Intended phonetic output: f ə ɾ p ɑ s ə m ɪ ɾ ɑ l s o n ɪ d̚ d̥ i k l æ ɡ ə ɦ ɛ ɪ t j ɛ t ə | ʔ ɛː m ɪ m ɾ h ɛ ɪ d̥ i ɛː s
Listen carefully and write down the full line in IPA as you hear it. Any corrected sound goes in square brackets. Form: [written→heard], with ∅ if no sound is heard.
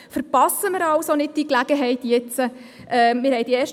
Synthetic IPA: f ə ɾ p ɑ s ə m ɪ ɾ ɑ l s o n ɪ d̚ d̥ i k l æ ɡ ə ɦ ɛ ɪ t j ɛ [t→t͡s] ə | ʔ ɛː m ɪ [m→∅] ɾ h ɛ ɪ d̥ i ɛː [s→ʃ]